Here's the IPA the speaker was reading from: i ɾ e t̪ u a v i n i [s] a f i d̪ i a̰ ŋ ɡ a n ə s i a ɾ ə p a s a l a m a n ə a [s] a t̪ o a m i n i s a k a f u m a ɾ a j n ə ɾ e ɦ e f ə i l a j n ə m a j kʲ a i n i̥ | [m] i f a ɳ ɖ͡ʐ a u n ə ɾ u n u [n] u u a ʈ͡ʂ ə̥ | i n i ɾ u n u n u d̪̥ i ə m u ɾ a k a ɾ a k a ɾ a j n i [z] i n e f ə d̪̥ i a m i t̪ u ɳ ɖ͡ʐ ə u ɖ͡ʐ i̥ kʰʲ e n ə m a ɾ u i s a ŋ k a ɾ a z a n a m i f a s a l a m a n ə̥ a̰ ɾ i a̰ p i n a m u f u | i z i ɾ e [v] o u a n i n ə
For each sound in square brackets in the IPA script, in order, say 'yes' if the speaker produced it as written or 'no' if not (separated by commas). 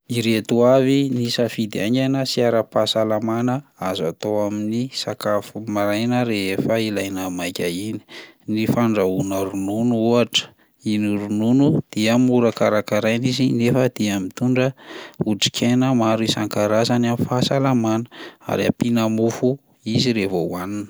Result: yes, no, no, yes, yes, yes